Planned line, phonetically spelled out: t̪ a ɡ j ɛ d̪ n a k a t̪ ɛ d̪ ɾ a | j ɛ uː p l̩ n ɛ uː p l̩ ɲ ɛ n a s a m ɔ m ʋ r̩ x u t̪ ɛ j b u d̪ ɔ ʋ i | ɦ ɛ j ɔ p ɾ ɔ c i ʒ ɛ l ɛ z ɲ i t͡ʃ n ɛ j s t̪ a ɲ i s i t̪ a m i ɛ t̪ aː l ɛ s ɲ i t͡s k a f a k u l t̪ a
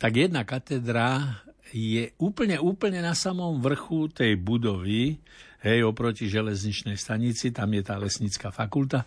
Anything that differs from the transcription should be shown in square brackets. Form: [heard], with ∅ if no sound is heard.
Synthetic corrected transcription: t̪ a ɡ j ɛ d̪ n a k a t̪ ɛ d̪ ɾ a | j ɛ uː p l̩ [ɲ] ɛ uː p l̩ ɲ ɛ n a s a m ɔ m ʋ r̩ x u t̪ ɛ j b u d̪ ɔ ʋ i | ɦ ɛ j ɔ p ɾ ɔ c i ʒ ɛ l ɛ z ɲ i t͡ʃ n ɛ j s t̪ a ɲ i [t͡s] i t̪ a m [j] ɛ t̪ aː l ɛ s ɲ i t͡s k a f a k u l t̪ a